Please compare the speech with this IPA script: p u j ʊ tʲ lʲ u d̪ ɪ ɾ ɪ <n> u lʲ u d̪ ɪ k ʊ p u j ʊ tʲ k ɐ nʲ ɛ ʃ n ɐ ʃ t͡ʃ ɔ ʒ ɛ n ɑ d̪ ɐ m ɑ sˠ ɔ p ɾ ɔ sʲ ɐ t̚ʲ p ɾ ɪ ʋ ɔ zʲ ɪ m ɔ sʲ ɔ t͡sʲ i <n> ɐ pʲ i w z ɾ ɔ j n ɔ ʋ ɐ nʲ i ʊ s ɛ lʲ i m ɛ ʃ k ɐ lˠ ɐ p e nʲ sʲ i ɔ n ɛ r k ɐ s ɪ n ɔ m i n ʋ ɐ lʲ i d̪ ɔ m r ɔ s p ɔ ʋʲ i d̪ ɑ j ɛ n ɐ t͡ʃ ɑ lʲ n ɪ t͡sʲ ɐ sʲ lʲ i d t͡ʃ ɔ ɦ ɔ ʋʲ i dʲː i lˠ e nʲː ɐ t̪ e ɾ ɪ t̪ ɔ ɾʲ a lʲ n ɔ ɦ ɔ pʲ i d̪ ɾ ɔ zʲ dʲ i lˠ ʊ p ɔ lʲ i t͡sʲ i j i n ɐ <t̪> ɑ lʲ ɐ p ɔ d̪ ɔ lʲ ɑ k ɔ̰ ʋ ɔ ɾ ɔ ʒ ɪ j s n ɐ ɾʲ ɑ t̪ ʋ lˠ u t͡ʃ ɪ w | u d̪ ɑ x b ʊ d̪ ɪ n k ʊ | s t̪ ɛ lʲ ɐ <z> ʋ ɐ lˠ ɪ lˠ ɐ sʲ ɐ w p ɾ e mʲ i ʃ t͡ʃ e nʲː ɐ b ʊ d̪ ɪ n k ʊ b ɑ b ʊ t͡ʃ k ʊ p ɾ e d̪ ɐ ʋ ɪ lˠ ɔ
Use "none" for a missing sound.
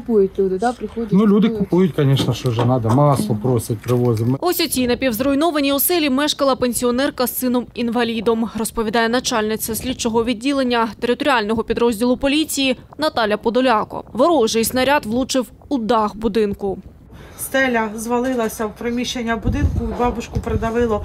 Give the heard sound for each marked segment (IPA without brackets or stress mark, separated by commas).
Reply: n, n, t̪, z